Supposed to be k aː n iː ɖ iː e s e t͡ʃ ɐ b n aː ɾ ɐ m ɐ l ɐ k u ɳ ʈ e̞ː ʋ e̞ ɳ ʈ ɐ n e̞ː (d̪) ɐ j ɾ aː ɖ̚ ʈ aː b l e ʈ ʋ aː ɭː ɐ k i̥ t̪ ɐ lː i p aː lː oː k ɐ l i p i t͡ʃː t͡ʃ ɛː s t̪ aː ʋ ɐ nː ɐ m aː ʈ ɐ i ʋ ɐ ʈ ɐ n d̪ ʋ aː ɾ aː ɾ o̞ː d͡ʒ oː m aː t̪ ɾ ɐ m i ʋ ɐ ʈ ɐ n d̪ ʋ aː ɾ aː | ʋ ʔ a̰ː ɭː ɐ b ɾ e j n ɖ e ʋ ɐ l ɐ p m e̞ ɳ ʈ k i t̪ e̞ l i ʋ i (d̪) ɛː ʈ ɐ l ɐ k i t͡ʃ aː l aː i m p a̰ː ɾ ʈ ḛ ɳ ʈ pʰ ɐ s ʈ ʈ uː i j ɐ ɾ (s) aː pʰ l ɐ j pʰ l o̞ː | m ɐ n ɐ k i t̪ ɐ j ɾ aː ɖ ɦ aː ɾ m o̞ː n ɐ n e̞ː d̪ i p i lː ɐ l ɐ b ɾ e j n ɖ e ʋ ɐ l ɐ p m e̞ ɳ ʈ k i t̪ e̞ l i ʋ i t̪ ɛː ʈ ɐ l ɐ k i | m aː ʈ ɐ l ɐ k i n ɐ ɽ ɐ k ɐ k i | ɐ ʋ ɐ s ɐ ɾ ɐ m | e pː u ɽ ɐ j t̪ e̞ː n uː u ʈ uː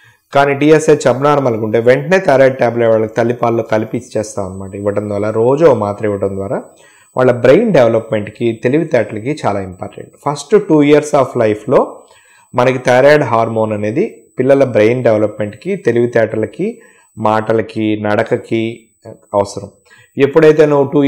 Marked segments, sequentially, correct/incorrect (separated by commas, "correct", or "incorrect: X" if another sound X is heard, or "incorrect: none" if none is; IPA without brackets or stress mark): incorrect: t̪, incorrect: t̪, correct